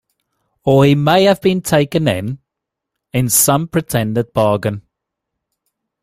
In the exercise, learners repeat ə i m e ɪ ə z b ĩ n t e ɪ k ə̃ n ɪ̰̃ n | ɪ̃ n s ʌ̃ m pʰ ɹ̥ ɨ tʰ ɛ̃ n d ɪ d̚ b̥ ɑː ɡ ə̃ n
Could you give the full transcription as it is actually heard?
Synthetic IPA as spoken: ə i m e ɪ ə v b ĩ n tʰ e ɪ k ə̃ n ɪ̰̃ n | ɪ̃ n s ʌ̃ m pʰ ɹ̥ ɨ tʰ ɛ̃ n d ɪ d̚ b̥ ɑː ɡ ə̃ n